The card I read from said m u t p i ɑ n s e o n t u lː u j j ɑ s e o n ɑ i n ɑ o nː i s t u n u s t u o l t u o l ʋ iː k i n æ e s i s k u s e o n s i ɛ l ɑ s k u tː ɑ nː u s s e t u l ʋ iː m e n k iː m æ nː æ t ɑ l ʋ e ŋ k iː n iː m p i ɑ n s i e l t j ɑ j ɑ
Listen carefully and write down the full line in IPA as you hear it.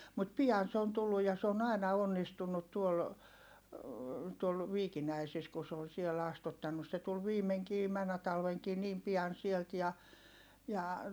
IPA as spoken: m u t p i ɑ n s e o n t u lː u j j ɑ s e o n ɑ i n ɑ o nː i s t u nː u t t u o l t u o l ʋ iː k i n æ i s i s k u s e o n s i ɛ l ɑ s t u tː ɑ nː u s s e t u l ʋ iː m e ŋ k iː m æ nː æ t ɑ l ʋ e ŋ k iː n iː m p i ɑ n s i e l t j ɑ j ɑ